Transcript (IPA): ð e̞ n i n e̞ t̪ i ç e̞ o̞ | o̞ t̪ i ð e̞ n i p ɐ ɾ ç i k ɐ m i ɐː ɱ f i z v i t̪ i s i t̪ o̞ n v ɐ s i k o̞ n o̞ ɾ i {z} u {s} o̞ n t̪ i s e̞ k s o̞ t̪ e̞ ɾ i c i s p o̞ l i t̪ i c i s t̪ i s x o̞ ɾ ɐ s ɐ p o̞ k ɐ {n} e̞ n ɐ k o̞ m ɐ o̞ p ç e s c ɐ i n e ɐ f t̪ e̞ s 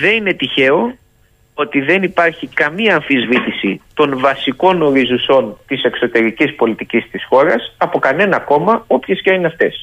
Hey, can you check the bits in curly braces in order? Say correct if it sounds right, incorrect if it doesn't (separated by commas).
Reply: correct, correct, correct